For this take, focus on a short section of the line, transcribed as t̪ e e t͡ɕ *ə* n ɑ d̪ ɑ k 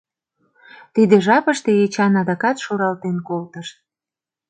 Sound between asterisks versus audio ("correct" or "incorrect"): incorrect